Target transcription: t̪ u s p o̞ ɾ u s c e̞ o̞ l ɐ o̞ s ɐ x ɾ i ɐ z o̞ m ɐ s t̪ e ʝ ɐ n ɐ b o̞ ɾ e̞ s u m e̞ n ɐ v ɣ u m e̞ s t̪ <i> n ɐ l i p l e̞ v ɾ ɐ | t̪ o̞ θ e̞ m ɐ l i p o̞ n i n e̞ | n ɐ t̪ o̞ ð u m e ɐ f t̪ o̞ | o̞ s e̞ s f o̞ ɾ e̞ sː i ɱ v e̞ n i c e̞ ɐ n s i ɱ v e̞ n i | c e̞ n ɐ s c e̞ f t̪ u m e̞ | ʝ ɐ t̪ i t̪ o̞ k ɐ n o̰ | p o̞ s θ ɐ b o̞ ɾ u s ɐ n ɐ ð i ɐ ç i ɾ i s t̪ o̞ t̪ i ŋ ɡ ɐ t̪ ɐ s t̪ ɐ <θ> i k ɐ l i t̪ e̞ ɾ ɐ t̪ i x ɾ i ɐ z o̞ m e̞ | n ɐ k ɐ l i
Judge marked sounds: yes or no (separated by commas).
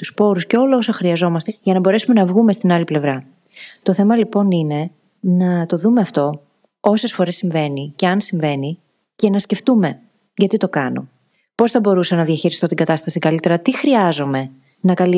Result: yes, no